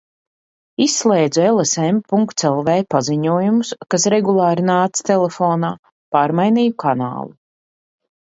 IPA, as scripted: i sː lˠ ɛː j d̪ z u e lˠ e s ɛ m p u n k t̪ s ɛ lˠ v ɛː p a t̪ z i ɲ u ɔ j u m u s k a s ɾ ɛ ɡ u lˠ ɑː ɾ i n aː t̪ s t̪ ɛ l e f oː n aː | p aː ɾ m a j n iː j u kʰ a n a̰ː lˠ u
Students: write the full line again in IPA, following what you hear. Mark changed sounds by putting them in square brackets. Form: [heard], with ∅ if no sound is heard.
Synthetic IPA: i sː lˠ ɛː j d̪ z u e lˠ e s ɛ m p u [ŋ] k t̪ s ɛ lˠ v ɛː p a [∅] z i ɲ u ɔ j u m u s k a s ɾ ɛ ɡ u lˠ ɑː ɾ i n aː t̪ s t̪ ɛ l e f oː n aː | p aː ɾ m a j n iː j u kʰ a n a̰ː lˠ u

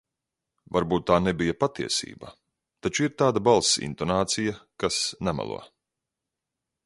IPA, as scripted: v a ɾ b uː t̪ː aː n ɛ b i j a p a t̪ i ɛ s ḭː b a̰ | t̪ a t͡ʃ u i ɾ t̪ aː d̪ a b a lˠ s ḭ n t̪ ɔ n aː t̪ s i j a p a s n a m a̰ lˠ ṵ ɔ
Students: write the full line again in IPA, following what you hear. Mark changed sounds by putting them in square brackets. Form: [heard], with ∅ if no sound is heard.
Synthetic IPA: v a ɾ b uː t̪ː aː n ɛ b i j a p a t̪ i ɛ s ḭː b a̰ | t̪ a t͡ʃ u i ɾ t̪ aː d̪ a b a lˠ s ḭ n t̪ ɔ n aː t̪ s i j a [k] a s n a m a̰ lˠ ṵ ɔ

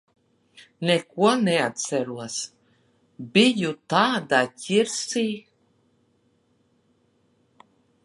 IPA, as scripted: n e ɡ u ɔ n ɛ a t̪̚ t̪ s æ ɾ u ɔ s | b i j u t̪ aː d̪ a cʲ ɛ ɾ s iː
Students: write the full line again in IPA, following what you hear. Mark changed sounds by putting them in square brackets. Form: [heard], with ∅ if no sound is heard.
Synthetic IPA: n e [k] u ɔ n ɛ a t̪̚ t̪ s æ ɾ u ɔ s | b i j u t̪ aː d̪ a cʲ [i] ɾ s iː

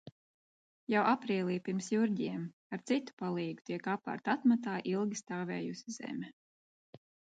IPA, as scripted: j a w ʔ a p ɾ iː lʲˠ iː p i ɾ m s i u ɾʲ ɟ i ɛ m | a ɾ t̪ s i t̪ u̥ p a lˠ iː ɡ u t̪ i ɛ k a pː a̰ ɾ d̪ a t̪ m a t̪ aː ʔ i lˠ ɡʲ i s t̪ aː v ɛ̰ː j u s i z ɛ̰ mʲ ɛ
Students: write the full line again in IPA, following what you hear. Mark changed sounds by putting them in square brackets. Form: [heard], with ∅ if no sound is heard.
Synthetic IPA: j a w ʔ a p ɾ iː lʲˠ iː p i ɾ m s [j] u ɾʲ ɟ i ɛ m | a ɾ t̪ s i t̪ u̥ p a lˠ iː ɡ u t̪ i ɛ k a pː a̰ ɾ [t̪] a t̪ m a t̪ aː ʔ i lˠ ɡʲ i s t̪ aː v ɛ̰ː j u s i z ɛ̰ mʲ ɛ

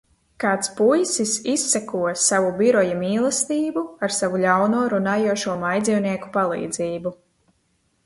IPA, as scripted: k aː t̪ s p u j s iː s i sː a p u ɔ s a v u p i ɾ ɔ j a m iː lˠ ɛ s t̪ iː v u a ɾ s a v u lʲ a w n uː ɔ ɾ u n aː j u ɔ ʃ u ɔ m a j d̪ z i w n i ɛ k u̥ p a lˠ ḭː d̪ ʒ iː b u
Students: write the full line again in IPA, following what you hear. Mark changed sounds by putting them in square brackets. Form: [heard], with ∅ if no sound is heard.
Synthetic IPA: k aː t̪ s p u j s [i] s i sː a [k] u ɔ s a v u [b] i ɾ ɔ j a m iː lˠ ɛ s t̪ iː [b] u a ɾ s a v u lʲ a w n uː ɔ ɾ u n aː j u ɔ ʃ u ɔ m a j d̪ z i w n i ɛ k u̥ p a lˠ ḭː d̪ [z] iː b u

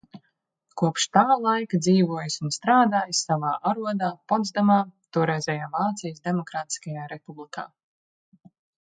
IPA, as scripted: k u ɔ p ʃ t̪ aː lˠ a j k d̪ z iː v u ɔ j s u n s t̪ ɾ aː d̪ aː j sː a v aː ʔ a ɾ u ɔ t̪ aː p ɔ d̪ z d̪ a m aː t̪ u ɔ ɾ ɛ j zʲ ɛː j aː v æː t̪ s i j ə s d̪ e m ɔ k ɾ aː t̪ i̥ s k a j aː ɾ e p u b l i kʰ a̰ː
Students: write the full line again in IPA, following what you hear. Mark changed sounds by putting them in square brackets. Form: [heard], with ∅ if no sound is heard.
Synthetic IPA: k u ɔ p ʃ t̪ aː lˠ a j k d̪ z iː v u ɔ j s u n s t̪ ɾ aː d̪ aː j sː a v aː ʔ a ɾ u ɔ [d̪] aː p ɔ d̪ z d̪ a m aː t̪ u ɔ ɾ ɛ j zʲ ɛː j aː v [aː] t̪ s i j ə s d̪ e m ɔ k ɾ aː t̪ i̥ s k a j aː ɾ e p u b l i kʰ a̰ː

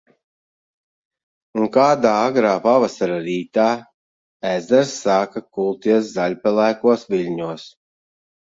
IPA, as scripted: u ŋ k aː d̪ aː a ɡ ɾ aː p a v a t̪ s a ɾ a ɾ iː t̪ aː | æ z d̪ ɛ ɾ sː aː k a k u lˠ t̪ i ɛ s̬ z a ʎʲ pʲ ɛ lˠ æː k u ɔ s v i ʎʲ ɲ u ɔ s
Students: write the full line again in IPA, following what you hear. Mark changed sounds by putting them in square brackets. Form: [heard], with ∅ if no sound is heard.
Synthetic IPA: u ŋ k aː d̪ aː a ɡ ɾ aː p a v a [∅] s a ɾ a ɾ iː t̪ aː | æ z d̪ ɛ ɾ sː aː k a k u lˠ t̪ i ɛ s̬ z a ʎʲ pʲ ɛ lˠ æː k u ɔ s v i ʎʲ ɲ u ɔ s

